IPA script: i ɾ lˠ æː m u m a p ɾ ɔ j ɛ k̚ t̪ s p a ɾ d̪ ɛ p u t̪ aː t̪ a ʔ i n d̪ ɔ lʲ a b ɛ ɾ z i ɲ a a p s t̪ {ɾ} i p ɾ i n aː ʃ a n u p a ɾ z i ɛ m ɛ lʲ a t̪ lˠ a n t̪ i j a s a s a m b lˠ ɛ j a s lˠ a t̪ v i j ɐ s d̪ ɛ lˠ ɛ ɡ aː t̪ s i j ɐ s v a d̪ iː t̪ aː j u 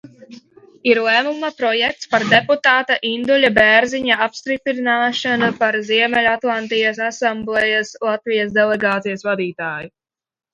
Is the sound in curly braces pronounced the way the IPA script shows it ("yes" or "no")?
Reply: yes